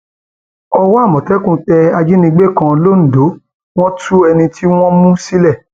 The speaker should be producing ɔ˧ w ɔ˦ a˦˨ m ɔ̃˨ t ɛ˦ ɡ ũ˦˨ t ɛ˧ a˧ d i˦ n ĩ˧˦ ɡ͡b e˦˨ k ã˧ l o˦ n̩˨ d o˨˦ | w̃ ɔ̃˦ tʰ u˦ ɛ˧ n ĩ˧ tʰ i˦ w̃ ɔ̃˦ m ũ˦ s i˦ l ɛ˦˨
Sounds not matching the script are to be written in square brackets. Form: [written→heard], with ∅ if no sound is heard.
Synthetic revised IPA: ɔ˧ w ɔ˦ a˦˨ m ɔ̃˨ t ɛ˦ [ɡ→k] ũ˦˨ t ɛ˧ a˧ [d→d͡ʒ] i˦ n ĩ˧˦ ɡ͡b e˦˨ k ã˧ l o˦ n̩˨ d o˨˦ | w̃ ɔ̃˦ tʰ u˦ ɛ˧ n ĩ˧ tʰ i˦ w̃ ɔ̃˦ m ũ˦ s i˦ l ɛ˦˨